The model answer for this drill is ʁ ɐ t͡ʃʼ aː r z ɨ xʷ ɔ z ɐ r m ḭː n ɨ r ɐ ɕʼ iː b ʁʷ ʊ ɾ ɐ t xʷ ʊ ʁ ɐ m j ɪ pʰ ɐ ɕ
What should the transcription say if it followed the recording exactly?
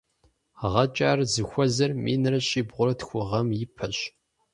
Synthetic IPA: ʁ ɐ t͡ʃʼ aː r z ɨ xʷ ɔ z ɐ r m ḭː n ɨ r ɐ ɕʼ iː b ʁʷ ʊ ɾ ɐ t xʷ ʊ ʁ ɐ m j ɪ pʰ ɐ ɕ